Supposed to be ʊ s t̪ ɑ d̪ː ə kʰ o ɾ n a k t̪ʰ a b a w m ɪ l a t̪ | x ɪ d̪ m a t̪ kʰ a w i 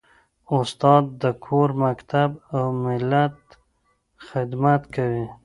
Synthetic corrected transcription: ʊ s t̪ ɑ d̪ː ə kʰ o ɾ m a k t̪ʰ a b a w m ɪ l a t̪ | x ɪ d̪ m a t̪ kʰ a w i

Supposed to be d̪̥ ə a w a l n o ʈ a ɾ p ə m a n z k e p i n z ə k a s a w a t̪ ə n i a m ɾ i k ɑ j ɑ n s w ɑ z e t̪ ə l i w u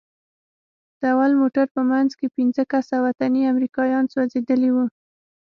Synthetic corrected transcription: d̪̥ ə a w a l m o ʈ a ɾ p ə m a n z k e p i n z ə k a s a w a t̪ a n i a m ɾ i k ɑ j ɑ n s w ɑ z e d̪ ə l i w u

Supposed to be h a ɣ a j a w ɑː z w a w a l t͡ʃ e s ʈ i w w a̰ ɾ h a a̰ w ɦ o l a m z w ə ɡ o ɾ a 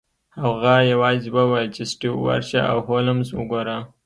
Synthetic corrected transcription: h a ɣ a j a w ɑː z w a w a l t͡ʃ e s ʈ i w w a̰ ɾ ʃ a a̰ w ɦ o l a m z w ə ɡ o ɾ a

